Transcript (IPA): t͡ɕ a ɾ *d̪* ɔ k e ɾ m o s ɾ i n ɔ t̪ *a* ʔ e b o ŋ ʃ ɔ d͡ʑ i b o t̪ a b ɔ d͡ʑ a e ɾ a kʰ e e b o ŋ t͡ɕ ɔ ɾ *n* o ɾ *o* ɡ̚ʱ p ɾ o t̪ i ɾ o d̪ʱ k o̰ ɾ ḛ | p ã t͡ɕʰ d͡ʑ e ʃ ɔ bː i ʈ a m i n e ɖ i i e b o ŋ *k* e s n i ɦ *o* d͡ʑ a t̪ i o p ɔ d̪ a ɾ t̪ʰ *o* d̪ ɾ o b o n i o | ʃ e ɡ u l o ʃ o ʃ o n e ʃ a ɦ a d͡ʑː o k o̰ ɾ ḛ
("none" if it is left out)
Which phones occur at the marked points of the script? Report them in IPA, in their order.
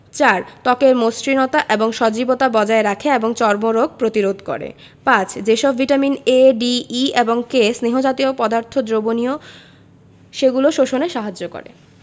t̪, a, m, o, k, o, o

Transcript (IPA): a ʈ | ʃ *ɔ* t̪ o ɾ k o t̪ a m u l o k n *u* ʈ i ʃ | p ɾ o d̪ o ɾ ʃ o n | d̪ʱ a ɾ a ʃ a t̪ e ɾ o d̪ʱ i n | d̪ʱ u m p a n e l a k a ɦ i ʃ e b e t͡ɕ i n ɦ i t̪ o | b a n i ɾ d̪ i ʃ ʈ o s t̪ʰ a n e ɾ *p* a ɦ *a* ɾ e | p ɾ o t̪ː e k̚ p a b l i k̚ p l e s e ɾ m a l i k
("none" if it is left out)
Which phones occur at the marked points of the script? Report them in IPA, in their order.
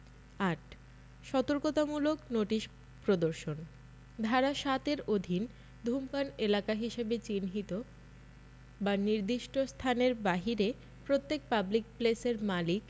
ɔ, o, b, i

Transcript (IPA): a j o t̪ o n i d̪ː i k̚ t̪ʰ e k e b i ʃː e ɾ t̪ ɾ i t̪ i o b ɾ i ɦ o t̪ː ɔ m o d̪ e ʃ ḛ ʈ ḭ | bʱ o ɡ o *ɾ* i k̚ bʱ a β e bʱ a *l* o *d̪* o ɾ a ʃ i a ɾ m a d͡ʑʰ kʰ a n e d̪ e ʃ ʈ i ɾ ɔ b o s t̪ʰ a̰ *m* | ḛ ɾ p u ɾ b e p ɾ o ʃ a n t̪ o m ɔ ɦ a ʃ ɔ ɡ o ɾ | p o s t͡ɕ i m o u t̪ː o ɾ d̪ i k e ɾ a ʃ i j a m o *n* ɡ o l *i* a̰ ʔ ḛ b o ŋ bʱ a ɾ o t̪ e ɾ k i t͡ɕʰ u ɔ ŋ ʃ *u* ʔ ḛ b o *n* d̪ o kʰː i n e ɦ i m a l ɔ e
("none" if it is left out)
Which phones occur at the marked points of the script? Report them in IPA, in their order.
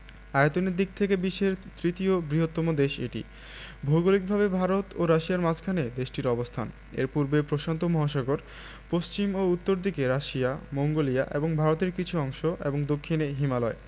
l, ɾ, t̪, n, ŋ, i, o, ŋ

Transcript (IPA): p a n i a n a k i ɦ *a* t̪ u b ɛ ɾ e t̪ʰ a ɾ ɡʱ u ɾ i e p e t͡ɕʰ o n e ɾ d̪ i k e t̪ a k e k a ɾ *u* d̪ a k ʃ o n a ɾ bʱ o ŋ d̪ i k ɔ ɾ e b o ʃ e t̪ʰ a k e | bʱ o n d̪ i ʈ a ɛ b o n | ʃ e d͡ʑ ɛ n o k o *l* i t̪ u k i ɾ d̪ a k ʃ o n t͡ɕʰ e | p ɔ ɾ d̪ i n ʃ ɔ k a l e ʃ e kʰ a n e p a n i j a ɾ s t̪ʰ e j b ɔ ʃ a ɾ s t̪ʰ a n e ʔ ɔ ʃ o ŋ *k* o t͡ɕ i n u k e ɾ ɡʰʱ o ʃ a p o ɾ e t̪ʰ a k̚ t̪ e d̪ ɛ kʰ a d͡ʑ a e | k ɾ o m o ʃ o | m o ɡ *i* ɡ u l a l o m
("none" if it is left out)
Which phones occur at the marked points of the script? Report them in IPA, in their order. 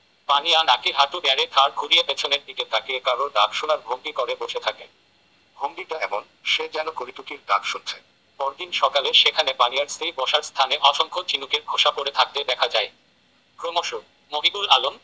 a, o, ɾ, kʰ, i

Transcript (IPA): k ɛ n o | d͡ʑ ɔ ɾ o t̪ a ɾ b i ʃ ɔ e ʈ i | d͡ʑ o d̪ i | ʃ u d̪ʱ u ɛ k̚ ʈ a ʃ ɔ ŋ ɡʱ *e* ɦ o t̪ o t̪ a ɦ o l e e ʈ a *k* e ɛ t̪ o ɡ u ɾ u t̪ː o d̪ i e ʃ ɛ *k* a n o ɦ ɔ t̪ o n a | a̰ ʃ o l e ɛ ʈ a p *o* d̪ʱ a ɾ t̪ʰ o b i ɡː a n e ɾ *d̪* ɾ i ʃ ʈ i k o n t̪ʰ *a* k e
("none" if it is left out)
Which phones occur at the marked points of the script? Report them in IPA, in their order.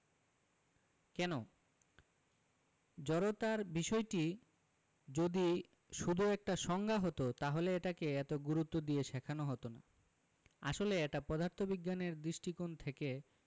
a, k, kʰ, ɔ, d̪, e

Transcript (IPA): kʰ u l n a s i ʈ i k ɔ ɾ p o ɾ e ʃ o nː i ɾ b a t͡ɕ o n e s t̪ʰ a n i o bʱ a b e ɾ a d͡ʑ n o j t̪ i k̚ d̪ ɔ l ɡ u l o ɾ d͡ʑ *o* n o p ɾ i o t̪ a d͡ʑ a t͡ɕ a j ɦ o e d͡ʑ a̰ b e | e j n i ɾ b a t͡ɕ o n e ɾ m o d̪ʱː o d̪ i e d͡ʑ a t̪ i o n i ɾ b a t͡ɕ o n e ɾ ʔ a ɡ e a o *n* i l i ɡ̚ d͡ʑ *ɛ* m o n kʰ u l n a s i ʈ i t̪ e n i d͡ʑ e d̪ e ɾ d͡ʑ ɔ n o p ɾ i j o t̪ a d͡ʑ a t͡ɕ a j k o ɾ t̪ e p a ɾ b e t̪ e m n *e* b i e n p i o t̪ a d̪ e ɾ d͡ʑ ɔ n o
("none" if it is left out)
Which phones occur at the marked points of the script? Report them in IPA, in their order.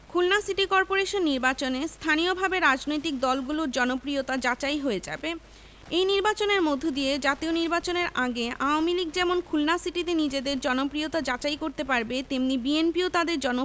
ɔ, m, ɛ, i

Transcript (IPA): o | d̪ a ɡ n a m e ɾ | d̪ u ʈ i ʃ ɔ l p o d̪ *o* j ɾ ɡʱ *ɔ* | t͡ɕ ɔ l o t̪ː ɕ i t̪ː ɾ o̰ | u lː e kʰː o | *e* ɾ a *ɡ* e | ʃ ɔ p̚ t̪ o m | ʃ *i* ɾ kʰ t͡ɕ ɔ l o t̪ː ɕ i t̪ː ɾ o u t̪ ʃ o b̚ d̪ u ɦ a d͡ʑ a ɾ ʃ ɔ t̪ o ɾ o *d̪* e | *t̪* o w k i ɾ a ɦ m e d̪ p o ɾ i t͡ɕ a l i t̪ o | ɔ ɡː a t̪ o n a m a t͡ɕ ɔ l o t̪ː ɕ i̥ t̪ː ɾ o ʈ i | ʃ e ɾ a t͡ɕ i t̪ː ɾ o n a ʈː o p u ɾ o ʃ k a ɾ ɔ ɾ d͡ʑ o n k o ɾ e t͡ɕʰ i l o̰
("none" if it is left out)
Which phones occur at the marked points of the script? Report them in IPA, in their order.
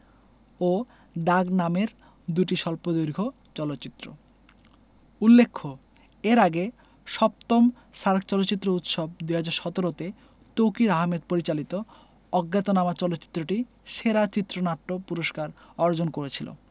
o, o, e, ɡ, a, t̪, t̪

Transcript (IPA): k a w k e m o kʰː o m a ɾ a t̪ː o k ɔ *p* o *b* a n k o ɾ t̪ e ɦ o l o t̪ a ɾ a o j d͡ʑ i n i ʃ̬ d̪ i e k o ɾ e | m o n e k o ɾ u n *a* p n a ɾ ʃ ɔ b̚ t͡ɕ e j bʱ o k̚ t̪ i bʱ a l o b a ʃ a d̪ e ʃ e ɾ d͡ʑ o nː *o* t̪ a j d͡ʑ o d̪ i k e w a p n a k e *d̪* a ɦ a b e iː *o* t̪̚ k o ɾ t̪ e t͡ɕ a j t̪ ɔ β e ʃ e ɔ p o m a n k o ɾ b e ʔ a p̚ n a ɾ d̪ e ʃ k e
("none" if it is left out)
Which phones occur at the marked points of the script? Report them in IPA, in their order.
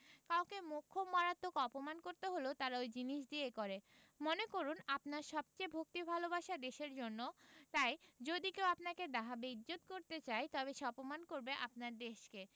p, m, a, o, d̪, o

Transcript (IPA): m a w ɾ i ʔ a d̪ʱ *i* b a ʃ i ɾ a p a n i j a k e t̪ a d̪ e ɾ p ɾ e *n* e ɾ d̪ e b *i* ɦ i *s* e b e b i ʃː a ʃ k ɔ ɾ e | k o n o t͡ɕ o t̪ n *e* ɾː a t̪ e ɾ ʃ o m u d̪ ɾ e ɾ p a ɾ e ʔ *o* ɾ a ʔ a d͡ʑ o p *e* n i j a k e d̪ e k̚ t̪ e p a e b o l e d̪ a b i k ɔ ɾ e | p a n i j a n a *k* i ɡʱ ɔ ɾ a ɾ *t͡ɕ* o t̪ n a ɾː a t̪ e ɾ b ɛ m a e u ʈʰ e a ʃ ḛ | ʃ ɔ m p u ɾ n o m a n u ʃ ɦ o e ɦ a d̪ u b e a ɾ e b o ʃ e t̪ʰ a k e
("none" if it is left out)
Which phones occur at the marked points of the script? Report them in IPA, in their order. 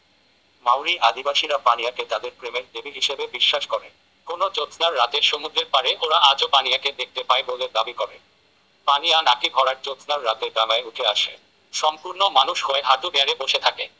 i, m, i, ʃ, a, o, a, k, t͡ɕ

